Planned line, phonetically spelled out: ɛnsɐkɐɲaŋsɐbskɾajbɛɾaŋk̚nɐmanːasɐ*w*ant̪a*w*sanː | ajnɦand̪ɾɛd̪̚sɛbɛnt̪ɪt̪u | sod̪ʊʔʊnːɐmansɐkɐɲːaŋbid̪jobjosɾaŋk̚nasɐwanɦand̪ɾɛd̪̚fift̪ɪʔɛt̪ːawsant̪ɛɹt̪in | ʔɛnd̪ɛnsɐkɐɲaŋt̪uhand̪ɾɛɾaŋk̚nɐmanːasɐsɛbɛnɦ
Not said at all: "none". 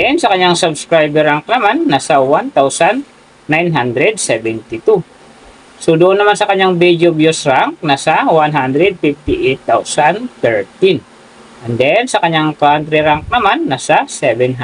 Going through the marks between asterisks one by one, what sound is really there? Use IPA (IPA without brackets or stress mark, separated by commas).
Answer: w, w